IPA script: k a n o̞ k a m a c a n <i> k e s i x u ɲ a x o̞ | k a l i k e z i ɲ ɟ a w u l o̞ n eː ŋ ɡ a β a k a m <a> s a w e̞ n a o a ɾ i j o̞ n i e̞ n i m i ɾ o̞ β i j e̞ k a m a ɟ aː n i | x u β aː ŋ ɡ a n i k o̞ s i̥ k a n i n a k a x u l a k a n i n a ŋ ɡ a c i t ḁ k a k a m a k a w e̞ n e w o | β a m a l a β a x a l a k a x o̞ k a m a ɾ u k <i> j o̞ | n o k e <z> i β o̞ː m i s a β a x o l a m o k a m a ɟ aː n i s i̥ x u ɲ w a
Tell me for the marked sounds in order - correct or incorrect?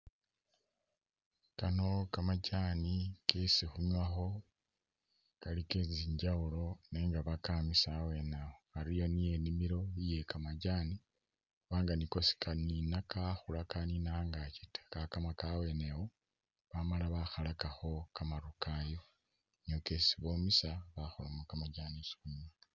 correct, incorrect: i, incorrect: a, incorrect: s

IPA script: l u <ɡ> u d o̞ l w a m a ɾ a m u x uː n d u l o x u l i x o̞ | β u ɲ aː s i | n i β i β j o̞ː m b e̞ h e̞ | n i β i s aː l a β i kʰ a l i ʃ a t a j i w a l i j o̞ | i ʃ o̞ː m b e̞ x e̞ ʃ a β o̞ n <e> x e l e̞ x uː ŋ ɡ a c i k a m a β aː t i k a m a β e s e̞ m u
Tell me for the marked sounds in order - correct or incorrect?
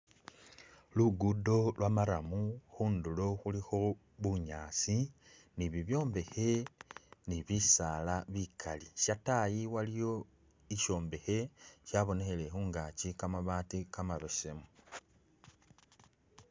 correct, correct

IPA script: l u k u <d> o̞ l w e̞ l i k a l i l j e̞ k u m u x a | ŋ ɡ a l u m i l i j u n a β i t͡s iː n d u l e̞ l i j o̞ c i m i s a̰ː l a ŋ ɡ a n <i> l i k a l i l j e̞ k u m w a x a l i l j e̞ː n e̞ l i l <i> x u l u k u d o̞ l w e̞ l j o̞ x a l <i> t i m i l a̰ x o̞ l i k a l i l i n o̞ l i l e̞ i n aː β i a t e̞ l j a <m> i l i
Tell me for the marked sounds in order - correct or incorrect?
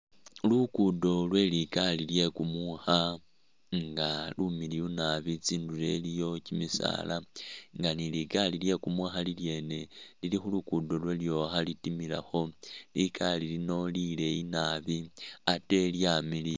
correct, correct, correct, correct, correct

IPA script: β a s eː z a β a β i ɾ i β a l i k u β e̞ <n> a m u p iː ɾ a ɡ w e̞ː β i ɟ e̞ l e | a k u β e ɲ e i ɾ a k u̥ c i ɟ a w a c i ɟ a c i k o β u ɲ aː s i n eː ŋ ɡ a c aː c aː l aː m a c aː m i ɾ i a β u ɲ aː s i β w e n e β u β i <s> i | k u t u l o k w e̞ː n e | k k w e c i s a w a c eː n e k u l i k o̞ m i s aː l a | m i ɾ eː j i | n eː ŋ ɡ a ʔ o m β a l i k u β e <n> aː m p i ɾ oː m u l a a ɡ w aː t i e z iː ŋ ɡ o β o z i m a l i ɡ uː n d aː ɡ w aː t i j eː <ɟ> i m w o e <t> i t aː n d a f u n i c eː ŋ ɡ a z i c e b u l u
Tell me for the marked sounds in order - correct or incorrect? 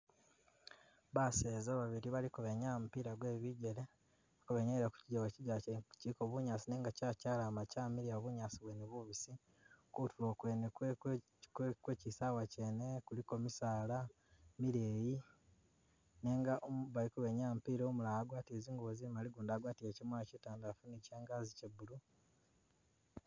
incorrect: ɲ, correct, incorrect: ɲ, incorrect: c, incorrect: c

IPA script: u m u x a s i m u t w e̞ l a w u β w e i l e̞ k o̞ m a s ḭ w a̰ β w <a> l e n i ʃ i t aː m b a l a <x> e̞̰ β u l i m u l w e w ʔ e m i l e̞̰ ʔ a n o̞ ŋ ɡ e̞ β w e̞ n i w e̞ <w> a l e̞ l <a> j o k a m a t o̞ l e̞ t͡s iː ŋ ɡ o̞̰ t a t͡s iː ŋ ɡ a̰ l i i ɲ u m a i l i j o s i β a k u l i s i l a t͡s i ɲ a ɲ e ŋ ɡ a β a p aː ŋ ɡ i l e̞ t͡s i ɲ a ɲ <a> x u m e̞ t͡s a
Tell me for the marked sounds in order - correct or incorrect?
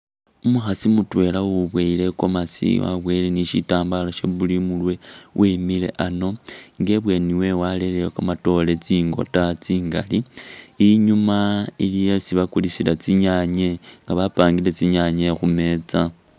incorrect: e, incorrect: ʃ, correct, incorrect: e, incorrect: e

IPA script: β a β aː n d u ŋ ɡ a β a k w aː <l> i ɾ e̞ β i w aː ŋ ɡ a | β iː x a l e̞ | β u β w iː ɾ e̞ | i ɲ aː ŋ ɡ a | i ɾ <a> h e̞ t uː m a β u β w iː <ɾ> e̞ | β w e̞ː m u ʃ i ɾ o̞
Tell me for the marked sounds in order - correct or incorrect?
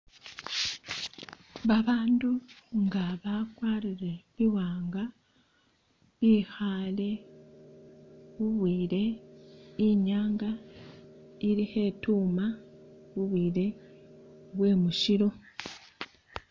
incorrect: ɾ, incorrect: i, correct

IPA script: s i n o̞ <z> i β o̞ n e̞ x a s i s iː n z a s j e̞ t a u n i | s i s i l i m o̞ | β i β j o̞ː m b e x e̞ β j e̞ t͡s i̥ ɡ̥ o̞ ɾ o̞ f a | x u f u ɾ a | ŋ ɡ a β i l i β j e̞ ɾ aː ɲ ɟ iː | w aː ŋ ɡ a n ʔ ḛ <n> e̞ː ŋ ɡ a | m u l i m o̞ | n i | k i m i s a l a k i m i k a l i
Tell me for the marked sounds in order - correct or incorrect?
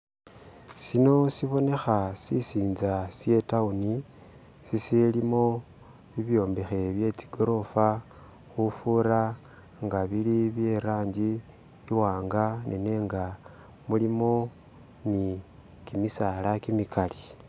incorrect: s, correct

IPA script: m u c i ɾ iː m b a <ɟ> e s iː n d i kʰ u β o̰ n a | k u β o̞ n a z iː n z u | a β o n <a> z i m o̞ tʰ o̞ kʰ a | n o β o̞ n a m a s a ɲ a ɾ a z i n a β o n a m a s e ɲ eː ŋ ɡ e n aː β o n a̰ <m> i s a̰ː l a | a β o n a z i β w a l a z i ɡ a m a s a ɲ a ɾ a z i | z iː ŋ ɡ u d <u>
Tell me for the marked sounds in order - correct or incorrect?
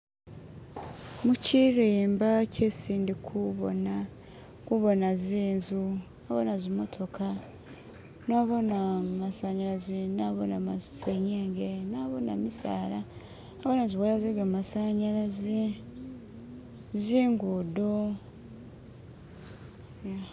incorrect: c, correct, correct, incorrect: o

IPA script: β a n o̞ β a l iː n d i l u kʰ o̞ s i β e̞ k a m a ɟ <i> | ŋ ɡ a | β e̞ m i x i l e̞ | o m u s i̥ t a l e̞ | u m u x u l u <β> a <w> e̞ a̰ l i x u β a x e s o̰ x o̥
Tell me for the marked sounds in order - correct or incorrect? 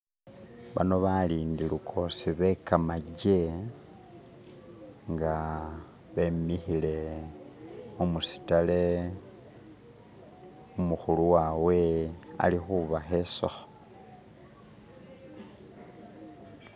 incorrect: e, incorrect: w, correct

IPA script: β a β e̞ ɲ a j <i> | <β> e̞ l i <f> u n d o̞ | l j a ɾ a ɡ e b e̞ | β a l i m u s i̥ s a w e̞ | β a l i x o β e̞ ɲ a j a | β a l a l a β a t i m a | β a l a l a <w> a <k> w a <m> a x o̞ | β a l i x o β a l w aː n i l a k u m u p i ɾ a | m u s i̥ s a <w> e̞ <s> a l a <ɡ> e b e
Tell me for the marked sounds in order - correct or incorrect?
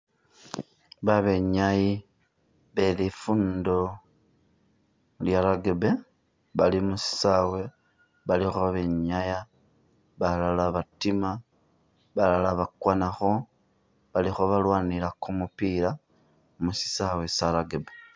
correct, correct, correct, incorrect: β, correct, incorrect: n, correct, correct, correct

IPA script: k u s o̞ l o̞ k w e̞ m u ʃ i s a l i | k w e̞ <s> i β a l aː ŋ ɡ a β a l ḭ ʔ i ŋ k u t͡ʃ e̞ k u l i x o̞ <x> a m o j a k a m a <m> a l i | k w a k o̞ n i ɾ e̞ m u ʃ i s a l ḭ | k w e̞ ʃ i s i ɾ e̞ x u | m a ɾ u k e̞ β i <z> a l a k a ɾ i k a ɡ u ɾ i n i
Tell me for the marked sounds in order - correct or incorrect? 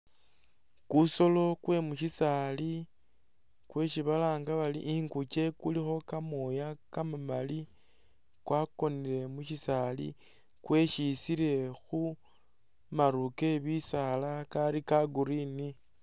incorrect: ʃ, incorrect: k, correct, incorrect: s

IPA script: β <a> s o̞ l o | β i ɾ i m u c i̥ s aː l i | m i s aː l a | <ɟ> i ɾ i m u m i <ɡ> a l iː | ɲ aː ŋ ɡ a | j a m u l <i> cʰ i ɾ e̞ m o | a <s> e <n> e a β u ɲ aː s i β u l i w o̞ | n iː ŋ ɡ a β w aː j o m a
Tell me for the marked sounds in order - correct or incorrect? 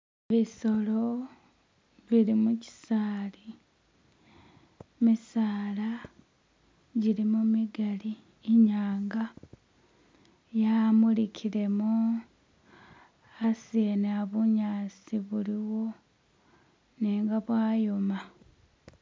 incorrect: i, correct, correct, correct, correct, correct

